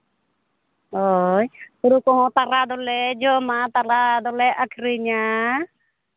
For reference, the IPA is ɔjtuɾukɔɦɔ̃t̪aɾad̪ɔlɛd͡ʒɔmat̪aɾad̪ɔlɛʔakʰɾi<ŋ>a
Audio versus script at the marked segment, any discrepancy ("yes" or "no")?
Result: yes